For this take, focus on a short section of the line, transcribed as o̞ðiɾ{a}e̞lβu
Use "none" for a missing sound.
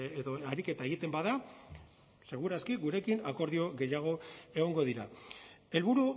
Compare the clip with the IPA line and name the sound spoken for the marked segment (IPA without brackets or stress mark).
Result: a